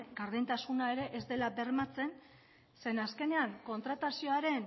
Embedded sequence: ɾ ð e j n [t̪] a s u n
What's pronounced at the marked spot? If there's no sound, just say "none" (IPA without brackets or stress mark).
t̪